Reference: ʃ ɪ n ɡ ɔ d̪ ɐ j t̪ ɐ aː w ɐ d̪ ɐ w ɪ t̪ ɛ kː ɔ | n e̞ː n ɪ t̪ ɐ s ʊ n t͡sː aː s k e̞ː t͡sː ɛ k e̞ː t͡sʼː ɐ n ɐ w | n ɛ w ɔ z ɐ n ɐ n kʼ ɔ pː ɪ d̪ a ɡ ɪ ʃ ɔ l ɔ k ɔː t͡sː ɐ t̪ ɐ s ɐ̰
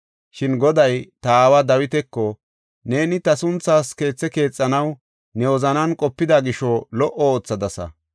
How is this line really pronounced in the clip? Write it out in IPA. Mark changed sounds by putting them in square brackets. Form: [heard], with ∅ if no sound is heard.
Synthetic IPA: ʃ ɪ n ɡ ɔ d̪ ɐ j t̪ ɐ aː w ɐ d̪ ɐ w ɪ t̪ ɛ kː ɔ | n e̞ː n ɪ t̪ ɐ s ʊ n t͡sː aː s k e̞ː t͡sː ɛ k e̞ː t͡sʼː ɐ n ɐ w | n ɛ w ɔ z ɐ n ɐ n kʼ ɔ pː ɪ d̪ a ɡ ɪ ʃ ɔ l ɔ [ʔ] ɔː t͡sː ɐ [d̪] ɐ s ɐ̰